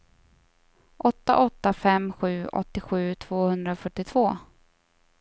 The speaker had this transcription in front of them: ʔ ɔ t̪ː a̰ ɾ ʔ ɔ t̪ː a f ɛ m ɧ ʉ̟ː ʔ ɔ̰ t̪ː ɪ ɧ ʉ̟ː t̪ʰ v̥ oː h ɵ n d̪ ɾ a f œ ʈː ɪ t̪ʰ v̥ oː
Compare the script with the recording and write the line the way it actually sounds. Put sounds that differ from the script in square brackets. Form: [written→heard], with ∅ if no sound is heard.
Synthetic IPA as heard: ʔ ɔ t̪ː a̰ [ɾ→∅] ʔ ɔ t̪ː a f ɛ m ɧ ʉ̟ː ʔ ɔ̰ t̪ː ɪ ɧ ʉ̟ː t̪ʰ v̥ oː h ɵ n d̪ ɾ a f œ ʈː ɪ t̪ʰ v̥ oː